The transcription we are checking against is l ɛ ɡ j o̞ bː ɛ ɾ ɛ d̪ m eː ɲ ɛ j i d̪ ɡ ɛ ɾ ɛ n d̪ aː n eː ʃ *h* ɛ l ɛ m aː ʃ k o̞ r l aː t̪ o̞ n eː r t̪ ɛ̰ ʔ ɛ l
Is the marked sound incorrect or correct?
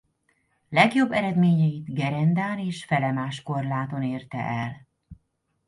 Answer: incorrect